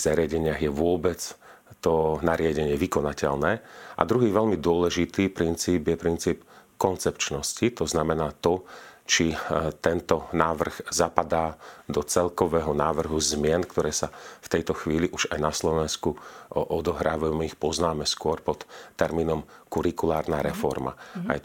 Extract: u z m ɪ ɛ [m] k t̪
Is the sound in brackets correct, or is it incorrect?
incorrect